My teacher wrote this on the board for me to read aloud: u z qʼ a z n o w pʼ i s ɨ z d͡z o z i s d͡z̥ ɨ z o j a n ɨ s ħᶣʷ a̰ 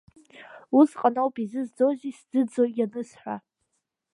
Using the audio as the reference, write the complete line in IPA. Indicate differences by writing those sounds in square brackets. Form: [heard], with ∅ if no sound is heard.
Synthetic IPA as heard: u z qʼ a [∅] n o w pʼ i [z] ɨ z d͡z o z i s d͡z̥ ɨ [d͡z] o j a n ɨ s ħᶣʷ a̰

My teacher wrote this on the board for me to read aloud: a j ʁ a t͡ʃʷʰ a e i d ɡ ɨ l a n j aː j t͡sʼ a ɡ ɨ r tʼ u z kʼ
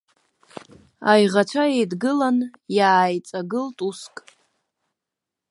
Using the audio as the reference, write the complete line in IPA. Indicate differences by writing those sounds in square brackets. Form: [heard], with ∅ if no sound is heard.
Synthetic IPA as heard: a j ʁ a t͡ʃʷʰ a e [j] d ɡ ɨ l a n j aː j t͡sʼ a ɡ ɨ [l] tʼ u [s] kʼ

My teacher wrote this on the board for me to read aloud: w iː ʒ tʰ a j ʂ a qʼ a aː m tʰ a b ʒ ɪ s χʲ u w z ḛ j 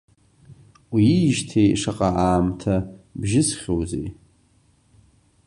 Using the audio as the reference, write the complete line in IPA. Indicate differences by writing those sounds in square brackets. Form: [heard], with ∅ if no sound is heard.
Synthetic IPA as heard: w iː ʒ tʰ [e] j ʂ a qʼ a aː m tʰ a b ʒ ɪ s χʲ [o] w z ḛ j

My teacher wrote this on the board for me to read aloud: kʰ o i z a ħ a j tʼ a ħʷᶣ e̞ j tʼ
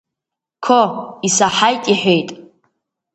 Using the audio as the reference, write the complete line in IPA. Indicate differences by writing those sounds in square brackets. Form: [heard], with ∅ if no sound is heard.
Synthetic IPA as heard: kʰ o i [s] a ħ a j tʼ [i] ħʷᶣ e̞ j tʼ

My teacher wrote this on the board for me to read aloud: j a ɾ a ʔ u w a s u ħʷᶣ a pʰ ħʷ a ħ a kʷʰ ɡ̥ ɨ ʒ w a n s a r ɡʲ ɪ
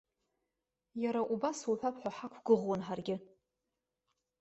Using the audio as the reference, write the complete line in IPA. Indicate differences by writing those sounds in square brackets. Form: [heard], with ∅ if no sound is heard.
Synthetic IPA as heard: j a ɾ a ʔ u [b] a s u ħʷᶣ a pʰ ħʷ a ħ a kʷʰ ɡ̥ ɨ [ʁ] w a n [ħ] a r ɡʲ ɪ

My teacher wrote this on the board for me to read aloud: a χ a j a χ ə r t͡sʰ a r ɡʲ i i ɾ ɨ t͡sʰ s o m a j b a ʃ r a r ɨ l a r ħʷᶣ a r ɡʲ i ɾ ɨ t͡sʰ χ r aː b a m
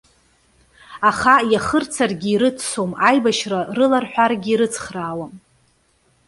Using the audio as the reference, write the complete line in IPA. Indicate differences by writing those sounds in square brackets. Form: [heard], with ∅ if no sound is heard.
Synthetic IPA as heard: a χ a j a χ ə r t͡sʰ a r ɡʲ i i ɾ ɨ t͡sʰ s o m a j b a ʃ r a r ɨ l a r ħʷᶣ a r ɡʲ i ɾ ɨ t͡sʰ χ r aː [w] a m

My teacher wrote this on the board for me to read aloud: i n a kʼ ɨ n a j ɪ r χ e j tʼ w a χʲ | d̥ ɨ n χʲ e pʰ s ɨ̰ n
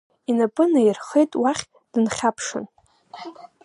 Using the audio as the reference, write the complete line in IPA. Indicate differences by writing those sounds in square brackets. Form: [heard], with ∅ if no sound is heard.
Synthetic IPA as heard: i n a [pʼ] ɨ n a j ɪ r χ e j tʼ w a χʲ | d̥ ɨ n χʲ [a] pʰ [ʂ] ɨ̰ n

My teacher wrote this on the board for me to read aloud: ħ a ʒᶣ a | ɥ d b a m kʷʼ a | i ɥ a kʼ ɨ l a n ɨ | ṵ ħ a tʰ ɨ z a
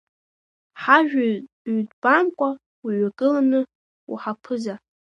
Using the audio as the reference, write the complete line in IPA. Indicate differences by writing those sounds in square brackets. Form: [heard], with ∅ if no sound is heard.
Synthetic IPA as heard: ħ a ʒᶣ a | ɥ d b a m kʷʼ a | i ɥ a kʼ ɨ l a n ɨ | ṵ ħ a [pʰ] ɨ z a

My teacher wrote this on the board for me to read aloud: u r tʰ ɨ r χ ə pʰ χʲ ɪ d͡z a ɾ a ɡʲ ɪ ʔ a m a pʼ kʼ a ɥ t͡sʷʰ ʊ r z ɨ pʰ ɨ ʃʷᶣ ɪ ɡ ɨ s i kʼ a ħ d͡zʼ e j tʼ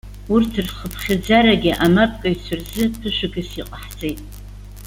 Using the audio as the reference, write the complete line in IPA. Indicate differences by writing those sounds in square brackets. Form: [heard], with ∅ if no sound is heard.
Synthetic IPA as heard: u r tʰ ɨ r χ ə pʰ χʲ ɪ d͡z a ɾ a ɡʲ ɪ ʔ a m a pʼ kʼ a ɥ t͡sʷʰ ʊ r z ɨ pʰ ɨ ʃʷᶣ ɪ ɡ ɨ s i [qʼ] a ħ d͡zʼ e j tʼ

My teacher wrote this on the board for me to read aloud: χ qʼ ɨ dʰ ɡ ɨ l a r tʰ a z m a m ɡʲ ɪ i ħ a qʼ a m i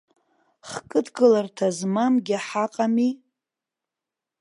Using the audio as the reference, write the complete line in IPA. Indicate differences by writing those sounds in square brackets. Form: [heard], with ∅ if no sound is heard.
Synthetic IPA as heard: χ [kʼ] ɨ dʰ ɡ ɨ l a r tʰ a z m a m ɡʲ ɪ [a] ħ a qʼ a m i

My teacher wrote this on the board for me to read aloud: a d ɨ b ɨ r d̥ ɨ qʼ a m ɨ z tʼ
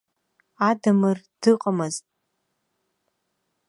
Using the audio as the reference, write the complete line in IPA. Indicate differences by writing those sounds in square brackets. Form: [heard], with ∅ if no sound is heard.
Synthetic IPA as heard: a d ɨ [m] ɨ r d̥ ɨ qʼ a m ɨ z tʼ

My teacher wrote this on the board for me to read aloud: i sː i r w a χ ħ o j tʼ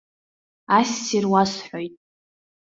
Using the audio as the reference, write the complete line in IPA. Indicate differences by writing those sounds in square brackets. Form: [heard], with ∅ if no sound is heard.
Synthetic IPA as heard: [a] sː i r w a [s] ħ o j tʼ

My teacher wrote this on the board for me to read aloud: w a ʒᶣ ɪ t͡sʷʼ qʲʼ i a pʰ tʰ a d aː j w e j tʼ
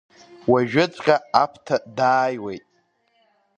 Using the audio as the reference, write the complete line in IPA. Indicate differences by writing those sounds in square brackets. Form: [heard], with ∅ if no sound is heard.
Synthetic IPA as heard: w a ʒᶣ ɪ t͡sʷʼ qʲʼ [a] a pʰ tʰ a d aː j w e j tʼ

